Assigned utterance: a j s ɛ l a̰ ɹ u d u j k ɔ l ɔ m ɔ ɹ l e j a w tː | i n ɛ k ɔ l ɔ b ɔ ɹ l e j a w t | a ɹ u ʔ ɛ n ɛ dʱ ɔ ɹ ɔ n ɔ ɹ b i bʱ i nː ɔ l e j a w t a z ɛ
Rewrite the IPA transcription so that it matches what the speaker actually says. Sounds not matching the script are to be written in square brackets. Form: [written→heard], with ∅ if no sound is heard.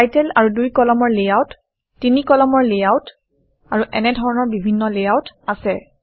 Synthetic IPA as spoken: a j [s→t] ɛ l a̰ ɹ u d u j k ɔ l ɔ m ɔ ɹ l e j a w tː | i n [ɛ→i] k ɔ l ɔ [b→m] ɔ ɹ l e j a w t | a ɹ u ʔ ɛ n ɛ dʱ ɔ ɹ ɔ n ɔ ɹ b i bʱ i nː ɔ l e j a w t a [z→s] ɛ